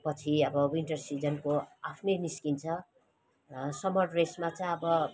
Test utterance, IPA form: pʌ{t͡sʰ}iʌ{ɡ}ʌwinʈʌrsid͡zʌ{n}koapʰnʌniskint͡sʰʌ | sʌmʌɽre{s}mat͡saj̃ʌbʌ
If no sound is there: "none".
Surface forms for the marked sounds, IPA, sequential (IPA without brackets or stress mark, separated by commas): t͡sʰ, b, n, s